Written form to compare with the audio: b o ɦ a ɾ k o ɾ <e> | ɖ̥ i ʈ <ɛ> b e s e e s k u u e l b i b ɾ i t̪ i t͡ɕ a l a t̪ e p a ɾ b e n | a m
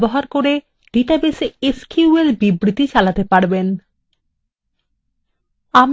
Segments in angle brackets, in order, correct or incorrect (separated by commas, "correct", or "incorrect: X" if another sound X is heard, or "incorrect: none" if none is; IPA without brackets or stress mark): correct, incorrect: a